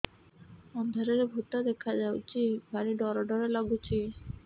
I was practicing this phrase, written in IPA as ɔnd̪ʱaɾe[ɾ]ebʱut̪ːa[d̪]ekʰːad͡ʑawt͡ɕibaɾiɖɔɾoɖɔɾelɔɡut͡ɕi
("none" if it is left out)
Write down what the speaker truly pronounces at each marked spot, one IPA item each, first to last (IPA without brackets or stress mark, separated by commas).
ɾ, d̪